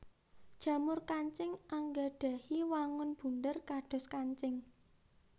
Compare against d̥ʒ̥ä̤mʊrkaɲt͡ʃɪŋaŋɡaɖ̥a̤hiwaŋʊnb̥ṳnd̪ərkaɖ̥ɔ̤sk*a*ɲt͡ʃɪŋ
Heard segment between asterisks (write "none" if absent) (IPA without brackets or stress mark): a